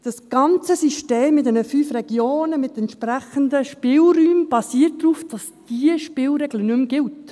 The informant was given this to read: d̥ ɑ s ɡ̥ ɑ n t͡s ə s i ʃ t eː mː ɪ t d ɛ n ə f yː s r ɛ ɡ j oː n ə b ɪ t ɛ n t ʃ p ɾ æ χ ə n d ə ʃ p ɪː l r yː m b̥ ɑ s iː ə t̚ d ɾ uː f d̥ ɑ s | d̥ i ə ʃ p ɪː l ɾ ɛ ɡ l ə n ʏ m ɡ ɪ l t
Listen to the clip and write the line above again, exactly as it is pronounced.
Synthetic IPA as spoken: d̥ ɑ s ɡ̥ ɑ n t͡s ə s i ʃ t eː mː ɪ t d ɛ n ə f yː f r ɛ ɡ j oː n ə m ɪ t ɛ n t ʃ p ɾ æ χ ə n d ə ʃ p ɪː l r yː m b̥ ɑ s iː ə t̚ d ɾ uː f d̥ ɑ s | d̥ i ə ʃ p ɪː l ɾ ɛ ɡ l ə n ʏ m ɡ ɪ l t